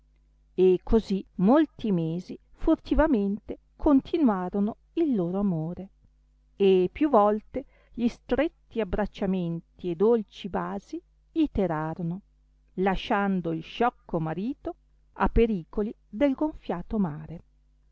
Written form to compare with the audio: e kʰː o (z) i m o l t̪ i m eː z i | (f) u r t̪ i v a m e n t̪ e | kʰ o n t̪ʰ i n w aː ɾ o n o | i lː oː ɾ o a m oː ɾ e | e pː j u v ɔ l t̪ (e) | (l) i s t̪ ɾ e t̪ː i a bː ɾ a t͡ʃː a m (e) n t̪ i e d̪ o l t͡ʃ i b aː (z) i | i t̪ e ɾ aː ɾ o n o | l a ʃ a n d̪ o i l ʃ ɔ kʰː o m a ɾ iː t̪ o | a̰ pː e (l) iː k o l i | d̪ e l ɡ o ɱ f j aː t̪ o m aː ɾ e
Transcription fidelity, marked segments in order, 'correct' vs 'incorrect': correct, correct, correct, incorrect: ʎ, correct, correct, incorrect: ɾ

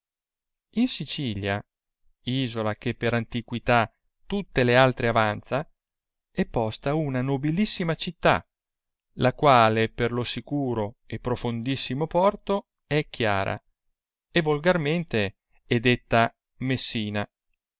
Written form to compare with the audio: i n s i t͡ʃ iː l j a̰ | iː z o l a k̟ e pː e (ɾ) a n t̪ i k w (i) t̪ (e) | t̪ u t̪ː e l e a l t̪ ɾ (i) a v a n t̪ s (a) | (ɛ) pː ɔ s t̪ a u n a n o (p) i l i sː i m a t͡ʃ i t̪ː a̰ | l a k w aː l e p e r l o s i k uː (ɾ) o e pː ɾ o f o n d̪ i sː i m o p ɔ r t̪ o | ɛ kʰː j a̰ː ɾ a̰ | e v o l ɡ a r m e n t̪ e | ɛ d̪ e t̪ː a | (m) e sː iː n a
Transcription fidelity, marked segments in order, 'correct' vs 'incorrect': correct, correct, incorrect: a, incorrect: e, correct, correct, incorrect: b, correct, correct

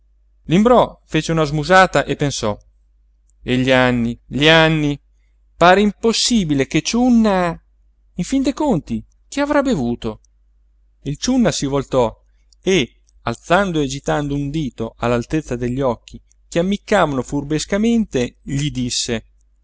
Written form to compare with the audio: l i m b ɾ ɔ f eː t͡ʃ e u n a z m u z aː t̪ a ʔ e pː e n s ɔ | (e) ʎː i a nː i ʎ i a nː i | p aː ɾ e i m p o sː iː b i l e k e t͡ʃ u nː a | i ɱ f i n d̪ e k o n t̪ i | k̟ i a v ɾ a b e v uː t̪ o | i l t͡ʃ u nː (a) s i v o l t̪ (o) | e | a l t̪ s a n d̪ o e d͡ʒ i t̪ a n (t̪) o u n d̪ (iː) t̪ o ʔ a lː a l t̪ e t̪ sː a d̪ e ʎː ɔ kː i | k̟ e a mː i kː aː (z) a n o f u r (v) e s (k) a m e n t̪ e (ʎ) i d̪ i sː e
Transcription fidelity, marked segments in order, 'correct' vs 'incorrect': correct, correct, incorrect: ɔ, incorrect: d̪, correct, incorrect: v, incorrect: b, correct, correct

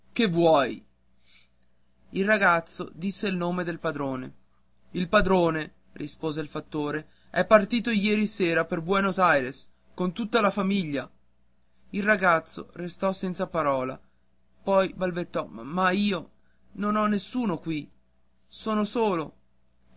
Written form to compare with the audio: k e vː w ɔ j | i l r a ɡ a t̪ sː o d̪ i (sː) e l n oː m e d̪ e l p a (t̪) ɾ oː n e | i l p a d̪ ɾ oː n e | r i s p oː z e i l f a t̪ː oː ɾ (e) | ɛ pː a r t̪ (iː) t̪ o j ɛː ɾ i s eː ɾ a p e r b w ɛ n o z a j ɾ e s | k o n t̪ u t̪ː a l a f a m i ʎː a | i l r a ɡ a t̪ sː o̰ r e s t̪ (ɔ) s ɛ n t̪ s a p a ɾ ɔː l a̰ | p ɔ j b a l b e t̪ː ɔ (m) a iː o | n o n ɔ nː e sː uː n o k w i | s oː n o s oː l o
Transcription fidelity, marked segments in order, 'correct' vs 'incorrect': correct, incorrect: d̪, correct, correct, correct, correct

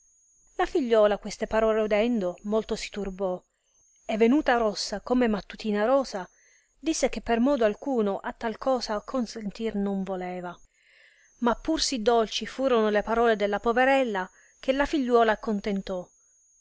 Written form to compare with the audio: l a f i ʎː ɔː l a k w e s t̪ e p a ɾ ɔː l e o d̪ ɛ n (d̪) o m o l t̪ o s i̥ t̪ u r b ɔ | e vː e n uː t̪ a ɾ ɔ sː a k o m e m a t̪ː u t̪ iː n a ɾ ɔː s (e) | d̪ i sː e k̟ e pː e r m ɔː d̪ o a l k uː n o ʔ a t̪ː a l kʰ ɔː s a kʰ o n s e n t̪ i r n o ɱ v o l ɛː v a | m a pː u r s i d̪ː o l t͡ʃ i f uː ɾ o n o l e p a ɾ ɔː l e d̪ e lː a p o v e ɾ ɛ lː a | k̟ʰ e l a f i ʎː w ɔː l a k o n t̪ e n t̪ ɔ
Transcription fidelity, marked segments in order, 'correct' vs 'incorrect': correct, incorrect: a

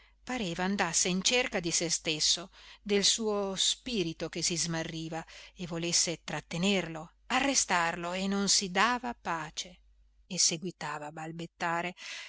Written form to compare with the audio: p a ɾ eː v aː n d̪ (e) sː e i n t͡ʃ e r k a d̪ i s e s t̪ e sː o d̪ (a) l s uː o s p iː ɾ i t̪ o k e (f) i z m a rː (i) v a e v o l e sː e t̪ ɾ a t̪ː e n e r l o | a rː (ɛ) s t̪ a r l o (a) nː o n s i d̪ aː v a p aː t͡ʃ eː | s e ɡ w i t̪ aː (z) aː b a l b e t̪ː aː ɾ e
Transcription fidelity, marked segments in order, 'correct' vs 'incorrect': incorrect: a, incorrect: e, incorrect: s, incorrect: iː, incorrect: e, incorrect: e, incorrect: v

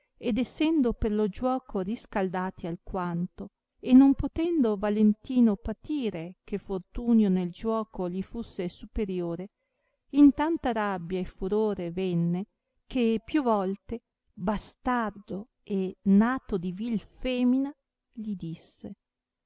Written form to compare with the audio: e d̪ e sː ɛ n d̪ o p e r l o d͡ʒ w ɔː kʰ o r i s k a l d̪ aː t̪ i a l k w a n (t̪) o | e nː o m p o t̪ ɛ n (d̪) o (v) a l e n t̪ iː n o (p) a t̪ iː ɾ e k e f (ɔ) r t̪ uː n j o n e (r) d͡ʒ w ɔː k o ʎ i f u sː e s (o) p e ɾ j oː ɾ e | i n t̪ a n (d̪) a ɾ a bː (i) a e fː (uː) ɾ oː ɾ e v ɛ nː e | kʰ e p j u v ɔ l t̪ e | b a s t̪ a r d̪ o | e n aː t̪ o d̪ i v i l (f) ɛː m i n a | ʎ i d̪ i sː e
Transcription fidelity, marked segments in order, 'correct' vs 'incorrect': correct, correct, correct, correct, incorrect: o, incorrect: l, incorrect: u, incorrect: t̪, incorrect: j, incorrect: u, correct

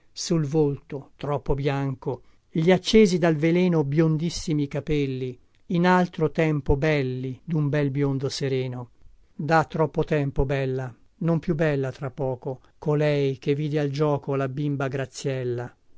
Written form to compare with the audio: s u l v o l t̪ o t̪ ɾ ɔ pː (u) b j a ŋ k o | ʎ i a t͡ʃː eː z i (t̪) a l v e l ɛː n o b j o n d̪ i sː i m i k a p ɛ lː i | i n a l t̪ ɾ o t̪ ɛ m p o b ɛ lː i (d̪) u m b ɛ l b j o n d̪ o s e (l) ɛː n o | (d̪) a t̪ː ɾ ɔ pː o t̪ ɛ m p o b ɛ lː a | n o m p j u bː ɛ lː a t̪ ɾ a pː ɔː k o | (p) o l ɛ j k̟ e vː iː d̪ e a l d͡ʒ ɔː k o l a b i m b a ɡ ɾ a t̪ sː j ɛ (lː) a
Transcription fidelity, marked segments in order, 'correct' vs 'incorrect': incorrect: o, incorrect: d̪, correct, incorrect: ɾ, correct, incorrect: k, correct

